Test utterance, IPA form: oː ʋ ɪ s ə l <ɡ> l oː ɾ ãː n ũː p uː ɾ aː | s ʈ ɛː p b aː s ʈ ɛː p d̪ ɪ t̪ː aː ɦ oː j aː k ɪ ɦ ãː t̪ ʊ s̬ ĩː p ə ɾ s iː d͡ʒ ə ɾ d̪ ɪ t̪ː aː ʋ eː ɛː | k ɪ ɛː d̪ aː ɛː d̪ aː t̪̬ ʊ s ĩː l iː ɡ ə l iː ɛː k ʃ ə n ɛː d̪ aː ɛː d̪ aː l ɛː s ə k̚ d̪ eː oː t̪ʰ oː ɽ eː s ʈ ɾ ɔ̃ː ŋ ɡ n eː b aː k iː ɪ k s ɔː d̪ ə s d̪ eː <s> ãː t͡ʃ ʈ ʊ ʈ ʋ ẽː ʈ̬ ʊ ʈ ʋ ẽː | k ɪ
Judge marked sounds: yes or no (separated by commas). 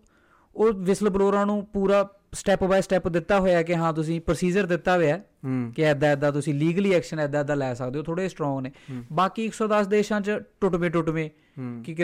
no, no